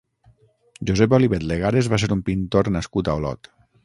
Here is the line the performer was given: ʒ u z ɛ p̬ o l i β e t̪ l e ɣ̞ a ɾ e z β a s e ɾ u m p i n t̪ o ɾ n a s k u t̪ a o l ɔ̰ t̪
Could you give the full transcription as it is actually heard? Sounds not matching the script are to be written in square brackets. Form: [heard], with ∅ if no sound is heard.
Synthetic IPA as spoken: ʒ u z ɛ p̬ o l i β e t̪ l e ɣ̞ a ɾ e z β a s e ɾ u m p i n t̪ o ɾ n a s k u t̪ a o l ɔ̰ t̪